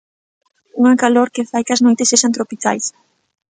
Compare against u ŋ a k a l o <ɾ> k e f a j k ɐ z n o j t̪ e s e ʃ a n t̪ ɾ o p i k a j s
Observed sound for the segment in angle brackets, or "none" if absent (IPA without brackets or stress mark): ɾ